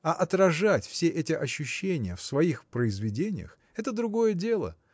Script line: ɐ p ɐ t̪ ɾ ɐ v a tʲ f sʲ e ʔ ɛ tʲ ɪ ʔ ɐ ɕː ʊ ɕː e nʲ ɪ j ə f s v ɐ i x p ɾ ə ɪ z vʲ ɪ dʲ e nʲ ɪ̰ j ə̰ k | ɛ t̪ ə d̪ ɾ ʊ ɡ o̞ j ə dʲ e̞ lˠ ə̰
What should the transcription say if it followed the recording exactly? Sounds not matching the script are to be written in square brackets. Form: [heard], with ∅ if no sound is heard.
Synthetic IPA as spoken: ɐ [ʔ] ɐ t̪ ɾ ɐ [ʐ] a tʲ f sʲ e ʔ ɛ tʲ ɪ ʔ ɐ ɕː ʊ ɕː e nʲ ɪ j ə f s v ɐ i x p ɾ ə ɪ z vʲ ɪ dʲ e nʲ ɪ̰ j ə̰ [x] | ɛ t̪ ə d̪ ɾ ʊ ɡ o̞ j ə dʲ e̞ lˠ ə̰

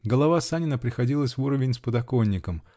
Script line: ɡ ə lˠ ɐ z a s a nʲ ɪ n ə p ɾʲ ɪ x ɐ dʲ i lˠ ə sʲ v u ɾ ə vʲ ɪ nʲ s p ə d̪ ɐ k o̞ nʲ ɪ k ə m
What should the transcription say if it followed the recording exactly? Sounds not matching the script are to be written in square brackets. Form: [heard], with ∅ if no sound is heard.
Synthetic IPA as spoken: ɡ ə lˠ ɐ [v] a s a nʲ ɪ n ə p ɾʲ ɪ x ɐ dʲ i lˠ ə sʲ v u ɾ ə vʲ ɪ nʲ s p ə d̪ ɐ k o̞ [nʲː] ɪ k ə m

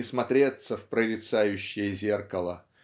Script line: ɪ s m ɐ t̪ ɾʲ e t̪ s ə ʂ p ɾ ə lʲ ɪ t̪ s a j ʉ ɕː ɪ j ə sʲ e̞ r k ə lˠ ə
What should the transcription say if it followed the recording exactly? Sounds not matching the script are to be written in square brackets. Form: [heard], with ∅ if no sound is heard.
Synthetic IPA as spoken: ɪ s m ɐ t̪ ɾʲ e t̪ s ə [f] p ɾ ə [ɾʲ] ɪ t̪ s a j ʉ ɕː ɪ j ə [zʲ] e̞ r k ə lˠ ə

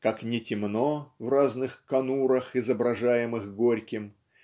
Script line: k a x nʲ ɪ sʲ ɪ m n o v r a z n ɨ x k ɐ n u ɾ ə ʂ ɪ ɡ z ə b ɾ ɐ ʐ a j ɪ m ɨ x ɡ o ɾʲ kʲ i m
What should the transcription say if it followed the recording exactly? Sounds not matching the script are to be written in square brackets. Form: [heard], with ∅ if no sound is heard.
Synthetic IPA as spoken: k a [k] nʲ ɪ [tʲ] ɪ m n o v r a z n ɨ x k ɐ n u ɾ ə [x] ɪ [∅] z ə b ɾ ɐ ʐ a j ɪ m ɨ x ɡ o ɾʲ kʲ [ɪ] m

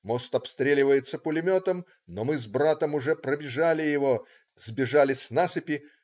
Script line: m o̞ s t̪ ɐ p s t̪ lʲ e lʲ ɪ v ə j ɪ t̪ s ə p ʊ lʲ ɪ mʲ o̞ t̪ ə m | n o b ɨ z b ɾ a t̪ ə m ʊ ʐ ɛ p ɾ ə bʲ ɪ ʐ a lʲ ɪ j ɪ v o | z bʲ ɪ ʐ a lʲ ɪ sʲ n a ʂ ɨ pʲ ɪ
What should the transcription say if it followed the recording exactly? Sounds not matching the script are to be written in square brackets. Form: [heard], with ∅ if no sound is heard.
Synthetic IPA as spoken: m o̞ s t̪ ɐ p s t̪ [ɾʲ] e lʲ ɪ v ə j ɪ t̪ s ə p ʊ lʲ ɪ mʲ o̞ t̪ ə m | n o [m] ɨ z b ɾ a t̪ ə m ʊ ʐ ɛ p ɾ ə bʲ ɪ ʐ a lʲ ɪ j ɪ v o | z bʲ ɪ ʐ a lʲ ɪ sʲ n a [s] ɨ pʲ ɪ

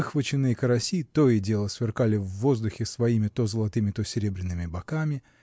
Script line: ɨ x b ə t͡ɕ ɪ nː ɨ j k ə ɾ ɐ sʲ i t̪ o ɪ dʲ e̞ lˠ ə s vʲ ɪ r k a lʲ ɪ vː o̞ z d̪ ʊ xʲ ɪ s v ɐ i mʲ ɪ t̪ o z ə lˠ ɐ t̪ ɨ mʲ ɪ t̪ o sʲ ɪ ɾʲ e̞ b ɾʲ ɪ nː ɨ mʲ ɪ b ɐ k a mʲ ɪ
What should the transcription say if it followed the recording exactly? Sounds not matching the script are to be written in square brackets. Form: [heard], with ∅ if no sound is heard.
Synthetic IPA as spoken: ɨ x [v] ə t͡ɕ ɪ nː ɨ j k ə ɾ ɐ sʲ i t̪ o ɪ dʲ e̞ lˠ ə s vʲ ɪ r k a lʲ ɪ vː o̞ z d̪ ʊ xʲ ɪ s v ɐ i mʲ ɪ t̪ o z ə lˠ ɐ t̪ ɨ mʲ ɪ t̪ o sʲ ɪ ɾʲ e̞ b ɾʲ ɪ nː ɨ mʲ ɪ b ɐ k a mʲ ɪ

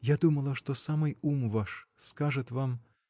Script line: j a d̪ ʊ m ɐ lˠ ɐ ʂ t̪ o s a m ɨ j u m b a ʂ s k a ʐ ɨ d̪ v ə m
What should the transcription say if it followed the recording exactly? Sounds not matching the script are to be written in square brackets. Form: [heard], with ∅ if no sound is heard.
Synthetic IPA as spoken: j a d̪ [u] m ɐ lˠ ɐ ʂ t̪ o s a m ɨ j u m [v] a ʂ s k a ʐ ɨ [t̪] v [a] m

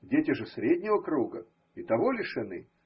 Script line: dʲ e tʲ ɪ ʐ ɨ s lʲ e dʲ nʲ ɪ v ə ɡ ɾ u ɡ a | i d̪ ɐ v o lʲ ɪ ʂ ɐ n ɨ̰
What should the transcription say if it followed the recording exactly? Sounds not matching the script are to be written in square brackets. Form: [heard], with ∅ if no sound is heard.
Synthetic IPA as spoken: dʲ e tʲ ɪ ʐ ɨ s [ɾʲ] e dʲ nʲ ɪ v ə [k] ɾ u ɡ [ə] | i [t̪] ɐ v o lʲ ɪ ʂ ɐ n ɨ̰

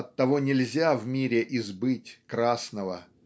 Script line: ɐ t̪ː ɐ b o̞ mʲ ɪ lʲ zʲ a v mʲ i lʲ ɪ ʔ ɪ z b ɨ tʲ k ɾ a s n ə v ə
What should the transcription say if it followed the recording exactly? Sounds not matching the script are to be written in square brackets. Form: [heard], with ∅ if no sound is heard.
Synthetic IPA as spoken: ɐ t̪ː ɐ [v] o̞ [nʲ] ɪ lʲ zʲ a v mʲ i [ɾʲ] ɪ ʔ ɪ z b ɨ tʲ k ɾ a s n ə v ə

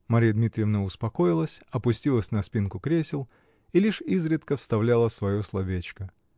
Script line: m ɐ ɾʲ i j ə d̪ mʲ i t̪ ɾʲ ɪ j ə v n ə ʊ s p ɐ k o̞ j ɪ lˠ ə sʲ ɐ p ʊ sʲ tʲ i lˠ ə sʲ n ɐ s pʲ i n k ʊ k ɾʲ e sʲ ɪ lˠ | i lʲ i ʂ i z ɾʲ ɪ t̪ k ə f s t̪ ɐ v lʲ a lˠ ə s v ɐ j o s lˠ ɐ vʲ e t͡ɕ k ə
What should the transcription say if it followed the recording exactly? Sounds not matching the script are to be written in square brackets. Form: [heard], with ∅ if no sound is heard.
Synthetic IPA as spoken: m ɐ ɾʲ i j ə d̪ mʲ i t̪ ɾʲ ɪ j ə v n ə ʊ s p ɐ k o̞ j ɪ lˠ ə sʲ ɐ p ʊ sʲ tʲ i lˠ ə sʲ n ɐ s pʲ i n k ʊ k ɾʲ e sʲ ɪ lˠ | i lʲ i ʂ i z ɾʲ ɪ t̪ k ə f s t̪ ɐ v lʲ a lˠ ə s v ɐ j o s lˠ ɐ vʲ e t͡ɕ k ə

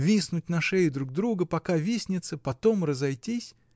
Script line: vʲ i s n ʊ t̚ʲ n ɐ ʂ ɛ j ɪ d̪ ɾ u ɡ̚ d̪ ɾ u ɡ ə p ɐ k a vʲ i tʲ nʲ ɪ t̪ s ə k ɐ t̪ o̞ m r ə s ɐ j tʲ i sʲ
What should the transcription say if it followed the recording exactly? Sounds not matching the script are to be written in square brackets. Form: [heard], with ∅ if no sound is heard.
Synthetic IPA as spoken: vʲ i s n ʊ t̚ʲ n ɐ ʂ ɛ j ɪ d̪ ɾ u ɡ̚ d̪ ɾ u ɡ ə p ɐ k a vʲ i [sʲ] nʲ ɪ t̪ s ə [p] ɐ t̪ o̞ m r ə [z] ɐ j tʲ i sʲ

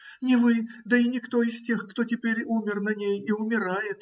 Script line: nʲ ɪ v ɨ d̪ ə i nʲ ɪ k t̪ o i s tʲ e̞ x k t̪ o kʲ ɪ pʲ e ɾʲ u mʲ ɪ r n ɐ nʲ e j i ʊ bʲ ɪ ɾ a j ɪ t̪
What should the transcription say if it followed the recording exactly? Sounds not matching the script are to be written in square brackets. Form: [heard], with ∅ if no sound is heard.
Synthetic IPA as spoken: nʲ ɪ v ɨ d̪ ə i nʲ ɪ k t̪ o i s tʲ e̞ x k t̪ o [tʲ] ɪ pʲ e ɾʲ u mʲ ɪ r n ɐ nʲ e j i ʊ [mʲ] ɪ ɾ a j ɪ t̪

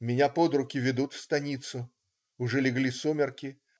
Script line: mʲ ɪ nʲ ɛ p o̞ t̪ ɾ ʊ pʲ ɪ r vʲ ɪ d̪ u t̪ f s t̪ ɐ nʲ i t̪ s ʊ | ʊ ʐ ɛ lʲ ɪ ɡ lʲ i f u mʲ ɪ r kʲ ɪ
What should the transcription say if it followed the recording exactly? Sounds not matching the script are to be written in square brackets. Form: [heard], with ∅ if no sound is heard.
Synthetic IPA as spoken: mʲ ɪ nʲ [a] p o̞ [d̪] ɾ ʊ [kʲ] ɪ [∅] vʲ ɪ d̪ u t̪ f s t̪ ɐ nʲ i t̪ s ʊ | ʊ ʐ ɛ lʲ ɪ ɡ lʲ i [s] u mʲ ɪ r kʲ ɪ

